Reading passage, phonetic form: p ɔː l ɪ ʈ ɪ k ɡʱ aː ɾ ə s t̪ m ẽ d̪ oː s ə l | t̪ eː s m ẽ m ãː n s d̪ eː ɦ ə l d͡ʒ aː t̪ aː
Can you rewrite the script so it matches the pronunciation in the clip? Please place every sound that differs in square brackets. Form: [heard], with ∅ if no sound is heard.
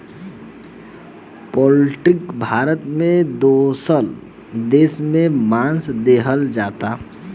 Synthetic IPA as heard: p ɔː l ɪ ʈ ɪ k [bʱ] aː ɾ ə [∅] t̪ m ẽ d̪ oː s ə l | [d̪] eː s m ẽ m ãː n s d̪ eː ɦ ə l d͡ʒ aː t̪ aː